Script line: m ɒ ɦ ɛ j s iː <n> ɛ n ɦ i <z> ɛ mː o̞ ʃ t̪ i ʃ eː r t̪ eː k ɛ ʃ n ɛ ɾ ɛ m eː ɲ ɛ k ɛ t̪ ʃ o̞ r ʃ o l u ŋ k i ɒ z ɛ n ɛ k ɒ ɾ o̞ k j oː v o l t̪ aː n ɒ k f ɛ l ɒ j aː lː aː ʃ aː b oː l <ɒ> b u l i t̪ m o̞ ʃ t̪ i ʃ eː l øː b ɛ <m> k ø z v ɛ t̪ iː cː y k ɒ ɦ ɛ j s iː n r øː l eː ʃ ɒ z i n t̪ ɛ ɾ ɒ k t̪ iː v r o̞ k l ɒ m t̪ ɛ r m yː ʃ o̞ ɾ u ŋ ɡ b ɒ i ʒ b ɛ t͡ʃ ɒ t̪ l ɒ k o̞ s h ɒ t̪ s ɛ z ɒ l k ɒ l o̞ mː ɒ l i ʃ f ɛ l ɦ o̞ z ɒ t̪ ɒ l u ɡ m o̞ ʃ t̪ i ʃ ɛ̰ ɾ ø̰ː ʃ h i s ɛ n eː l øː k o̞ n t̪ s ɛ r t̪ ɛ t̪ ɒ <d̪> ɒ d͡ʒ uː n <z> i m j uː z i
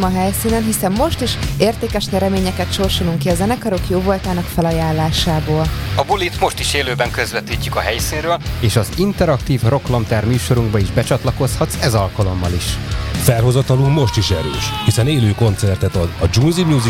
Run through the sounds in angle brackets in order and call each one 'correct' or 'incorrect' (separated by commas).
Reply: correct, incorrect, correct, incorrect, correct, correct